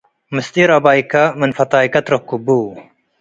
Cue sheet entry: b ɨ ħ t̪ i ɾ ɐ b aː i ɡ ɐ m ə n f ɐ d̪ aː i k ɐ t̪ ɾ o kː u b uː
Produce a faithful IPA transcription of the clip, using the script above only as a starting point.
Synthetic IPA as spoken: m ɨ s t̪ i ɾ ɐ b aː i k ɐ m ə n f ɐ t̪ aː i k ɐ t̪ ɾ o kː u b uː